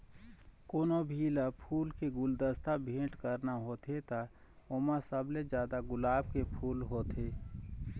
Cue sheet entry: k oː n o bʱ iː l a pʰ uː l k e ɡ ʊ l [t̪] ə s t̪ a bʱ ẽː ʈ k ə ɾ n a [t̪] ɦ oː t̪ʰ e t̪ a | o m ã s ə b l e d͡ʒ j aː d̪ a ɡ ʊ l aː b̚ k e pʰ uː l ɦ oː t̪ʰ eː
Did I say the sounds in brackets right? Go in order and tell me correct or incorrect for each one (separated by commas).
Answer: incorrect, incorrect